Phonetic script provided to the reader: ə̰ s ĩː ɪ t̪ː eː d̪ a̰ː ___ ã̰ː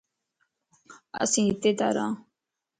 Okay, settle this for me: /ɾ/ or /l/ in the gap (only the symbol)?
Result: ɾ